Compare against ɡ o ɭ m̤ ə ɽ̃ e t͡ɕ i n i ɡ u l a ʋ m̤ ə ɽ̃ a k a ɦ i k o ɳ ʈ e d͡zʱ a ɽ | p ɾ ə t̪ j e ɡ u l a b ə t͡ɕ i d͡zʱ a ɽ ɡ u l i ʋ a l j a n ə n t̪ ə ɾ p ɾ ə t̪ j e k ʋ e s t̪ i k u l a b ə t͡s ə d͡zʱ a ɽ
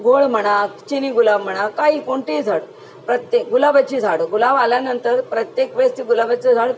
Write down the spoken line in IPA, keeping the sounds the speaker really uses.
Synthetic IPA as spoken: ɡ o ɭ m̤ ə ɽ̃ a t͡ɕ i n i ɡ u l a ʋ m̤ ə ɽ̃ a k a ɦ i k o ɳ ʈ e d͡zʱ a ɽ | p ɾ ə t̪ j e ɡ u l a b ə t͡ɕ i d͡zʱ a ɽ ɡ u l a ʋ a l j a n ə n t̪ ə ɾ p ɾ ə t̪ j e k ʋ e s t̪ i ɡ u l a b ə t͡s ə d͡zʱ a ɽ